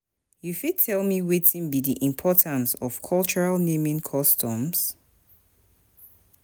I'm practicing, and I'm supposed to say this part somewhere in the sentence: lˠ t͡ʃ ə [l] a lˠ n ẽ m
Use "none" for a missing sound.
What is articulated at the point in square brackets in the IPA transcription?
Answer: ɹ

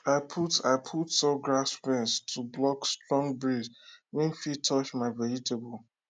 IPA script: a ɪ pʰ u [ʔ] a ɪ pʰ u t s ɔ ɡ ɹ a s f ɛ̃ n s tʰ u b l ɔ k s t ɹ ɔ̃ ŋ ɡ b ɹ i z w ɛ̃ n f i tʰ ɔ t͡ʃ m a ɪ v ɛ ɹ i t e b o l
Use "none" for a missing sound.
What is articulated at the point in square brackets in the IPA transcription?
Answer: t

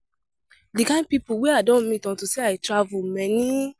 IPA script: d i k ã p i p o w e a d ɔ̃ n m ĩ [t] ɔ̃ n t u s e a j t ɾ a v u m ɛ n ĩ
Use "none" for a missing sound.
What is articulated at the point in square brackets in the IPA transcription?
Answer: t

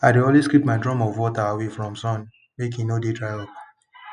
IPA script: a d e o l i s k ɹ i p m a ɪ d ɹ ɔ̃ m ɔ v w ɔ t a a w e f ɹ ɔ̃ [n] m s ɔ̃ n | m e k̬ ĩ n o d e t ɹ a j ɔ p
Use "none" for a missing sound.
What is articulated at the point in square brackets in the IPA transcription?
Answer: none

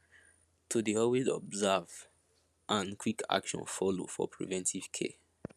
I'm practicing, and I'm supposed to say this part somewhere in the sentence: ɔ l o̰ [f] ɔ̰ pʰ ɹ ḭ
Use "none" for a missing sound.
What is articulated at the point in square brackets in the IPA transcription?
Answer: f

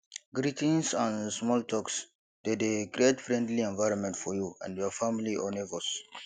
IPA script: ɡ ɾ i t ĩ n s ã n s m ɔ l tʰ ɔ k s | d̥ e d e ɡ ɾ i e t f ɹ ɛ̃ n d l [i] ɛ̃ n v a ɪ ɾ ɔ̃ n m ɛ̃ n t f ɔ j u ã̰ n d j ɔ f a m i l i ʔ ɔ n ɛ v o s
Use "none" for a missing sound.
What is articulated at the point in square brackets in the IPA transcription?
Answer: i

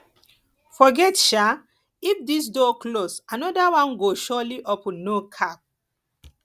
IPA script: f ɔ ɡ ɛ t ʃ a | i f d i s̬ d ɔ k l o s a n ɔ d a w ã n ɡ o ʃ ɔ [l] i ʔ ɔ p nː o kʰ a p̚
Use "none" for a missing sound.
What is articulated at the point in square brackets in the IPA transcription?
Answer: l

